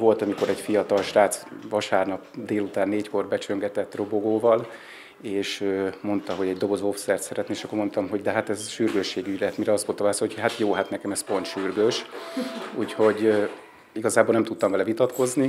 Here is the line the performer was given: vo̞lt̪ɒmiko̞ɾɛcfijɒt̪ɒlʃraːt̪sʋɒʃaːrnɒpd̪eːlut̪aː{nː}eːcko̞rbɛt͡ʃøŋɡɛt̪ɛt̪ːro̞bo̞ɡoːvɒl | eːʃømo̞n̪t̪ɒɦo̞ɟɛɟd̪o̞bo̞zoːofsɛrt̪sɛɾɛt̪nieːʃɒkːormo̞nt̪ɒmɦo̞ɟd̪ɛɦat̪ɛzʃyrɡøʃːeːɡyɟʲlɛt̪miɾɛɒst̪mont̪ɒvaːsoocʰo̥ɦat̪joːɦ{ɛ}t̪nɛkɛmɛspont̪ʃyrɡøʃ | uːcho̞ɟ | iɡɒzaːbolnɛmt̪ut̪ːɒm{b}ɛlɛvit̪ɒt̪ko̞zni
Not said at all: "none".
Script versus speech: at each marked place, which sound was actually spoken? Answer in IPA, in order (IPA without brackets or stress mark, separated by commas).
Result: nː, a, v